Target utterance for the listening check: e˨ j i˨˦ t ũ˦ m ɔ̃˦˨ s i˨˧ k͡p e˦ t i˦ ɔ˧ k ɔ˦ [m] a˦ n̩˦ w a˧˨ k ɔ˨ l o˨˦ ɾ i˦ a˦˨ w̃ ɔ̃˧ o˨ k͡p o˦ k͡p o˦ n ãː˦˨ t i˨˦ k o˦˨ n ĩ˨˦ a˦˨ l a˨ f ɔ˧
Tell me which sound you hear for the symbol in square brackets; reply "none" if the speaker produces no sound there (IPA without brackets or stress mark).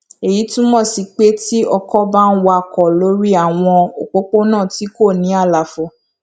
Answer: b